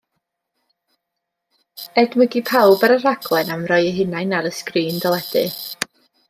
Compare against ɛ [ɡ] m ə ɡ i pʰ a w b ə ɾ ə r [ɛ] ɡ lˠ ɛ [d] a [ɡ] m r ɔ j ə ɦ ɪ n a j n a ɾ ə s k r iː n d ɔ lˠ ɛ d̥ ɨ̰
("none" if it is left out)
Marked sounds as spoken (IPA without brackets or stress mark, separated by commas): d, a, n, none